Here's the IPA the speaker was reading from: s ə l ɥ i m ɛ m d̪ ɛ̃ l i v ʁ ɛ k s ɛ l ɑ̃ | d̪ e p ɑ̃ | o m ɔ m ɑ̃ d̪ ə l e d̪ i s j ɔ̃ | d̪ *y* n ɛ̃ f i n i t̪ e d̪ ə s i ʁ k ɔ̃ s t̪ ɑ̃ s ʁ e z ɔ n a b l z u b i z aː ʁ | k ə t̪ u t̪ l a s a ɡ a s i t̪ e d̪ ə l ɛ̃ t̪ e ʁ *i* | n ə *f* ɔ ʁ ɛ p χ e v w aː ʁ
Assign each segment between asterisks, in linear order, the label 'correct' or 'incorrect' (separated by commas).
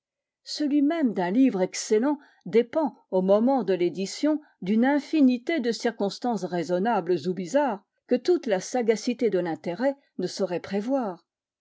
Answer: correct, incorrect, incorrect